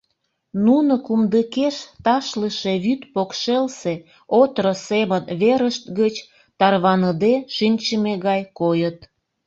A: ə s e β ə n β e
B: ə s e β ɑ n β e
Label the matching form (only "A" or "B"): A